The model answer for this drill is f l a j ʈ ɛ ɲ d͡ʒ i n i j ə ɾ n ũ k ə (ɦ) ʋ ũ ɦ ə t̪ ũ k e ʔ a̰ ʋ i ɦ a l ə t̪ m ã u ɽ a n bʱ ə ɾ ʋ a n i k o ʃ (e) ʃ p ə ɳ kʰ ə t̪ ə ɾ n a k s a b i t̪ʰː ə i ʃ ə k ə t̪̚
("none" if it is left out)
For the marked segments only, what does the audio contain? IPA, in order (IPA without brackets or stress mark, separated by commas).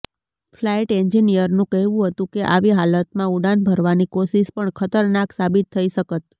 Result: ɦ, i